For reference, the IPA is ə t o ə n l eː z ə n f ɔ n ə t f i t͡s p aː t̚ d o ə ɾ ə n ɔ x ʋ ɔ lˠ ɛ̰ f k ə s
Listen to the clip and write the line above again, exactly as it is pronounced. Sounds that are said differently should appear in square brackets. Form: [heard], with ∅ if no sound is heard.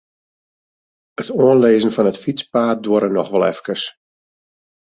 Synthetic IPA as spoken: ə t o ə n l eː z ə n f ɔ n ə t f i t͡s p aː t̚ d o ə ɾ ə n ɔ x ʋ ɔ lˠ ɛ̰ f k ə s

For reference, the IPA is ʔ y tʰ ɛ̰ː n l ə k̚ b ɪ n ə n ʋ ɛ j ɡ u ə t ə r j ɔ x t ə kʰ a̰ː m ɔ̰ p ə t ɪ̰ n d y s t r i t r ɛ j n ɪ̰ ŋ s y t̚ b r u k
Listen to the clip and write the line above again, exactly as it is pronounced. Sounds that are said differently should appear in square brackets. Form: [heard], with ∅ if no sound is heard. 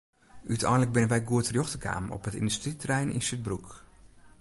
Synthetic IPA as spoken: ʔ y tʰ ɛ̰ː n l ə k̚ b ɪ n ə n ʋ ɛ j ɡ u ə t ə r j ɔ x t ə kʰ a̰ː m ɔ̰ p ə t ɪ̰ n d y s t r i t r ɛ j n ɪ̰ [n] s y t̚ b r u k

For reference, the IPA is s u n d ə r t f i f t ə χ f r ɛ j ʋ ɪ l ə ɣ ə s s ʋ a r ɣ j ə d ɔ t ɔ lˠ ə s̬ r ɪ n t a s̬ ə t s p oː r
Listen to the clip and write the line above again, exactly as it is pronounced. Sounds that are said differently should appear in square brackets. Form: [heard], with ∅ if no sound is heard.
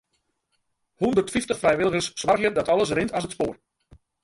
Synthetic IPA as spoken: [h] u n d ə r t f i f t ə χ f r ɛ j ʋ ɪ l ə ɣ ə s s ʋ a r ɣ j ə d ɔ t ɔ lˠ ə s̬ r ɪ n t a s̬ ə t s p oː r

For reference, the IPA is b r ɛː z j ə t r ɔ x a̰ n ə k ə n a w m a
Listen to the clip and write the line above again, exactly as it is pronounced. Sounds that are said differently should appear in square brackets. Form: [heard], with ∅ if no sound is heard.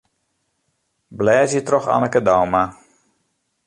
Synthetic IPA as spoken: b [l] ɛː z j ə t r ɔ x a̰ n ə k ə [d] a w m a

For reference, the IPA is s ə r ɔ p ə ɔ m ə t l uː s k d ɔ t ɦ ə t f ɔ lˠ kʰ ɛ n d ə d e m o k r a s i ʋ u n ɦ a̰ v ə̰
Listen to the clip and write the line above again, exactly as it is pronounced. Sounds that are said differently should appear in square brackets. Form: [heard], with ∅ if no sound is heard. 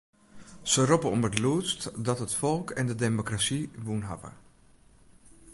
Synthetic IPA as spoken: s ə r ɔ p ə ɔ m ə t l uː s [t] d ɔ t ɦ ə t f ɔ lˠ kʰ ɛ n d ə d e m o k r a s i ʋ u n ɦ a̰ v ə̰

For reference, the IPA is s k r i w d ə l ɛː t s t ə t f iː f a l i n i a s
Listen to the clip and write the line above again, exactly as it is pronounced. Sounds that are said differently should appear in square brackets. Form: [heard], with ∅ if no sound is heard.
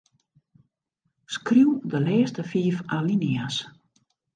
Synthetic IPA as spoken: s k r i w d ə l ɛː [∅] s t ə [∅] f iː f a l i n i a s

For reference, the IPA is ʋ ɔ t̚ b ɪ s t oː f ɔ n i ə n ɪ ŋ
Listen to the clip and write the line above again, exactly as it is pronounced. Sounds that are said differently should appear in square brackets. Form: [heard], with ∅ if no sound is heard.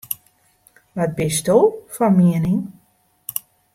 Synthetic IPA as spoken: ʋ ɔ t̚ b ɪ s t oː f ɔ [m] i ə n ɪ ŋ

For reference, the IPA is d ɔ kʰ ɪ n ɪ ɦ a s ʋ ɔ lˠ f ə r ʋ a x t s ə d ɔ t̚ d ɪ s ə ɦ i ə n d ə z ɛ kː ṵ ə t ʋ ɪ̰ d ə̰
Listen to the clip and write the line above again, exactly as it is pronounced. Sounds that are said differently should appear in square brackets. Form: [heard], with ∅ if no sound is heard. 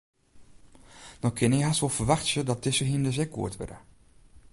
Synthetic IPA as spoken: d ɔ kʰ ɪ n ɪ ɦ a s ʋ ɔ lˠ f ə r ʋ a x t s ə d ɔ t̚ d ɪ s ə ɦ i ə n d ə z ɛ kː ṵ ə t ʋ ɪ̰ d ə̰

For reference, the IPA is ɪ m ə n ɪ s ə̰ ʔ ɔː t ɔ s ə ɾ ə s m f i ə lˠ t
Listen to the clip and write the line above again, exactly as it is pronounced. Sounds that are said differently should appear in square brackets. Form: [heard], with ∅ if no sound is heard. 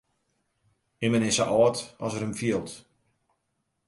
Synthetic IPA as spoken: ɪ m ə n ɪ s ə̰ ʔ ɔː t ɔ s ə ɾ ə [∅] m f i ə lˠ t

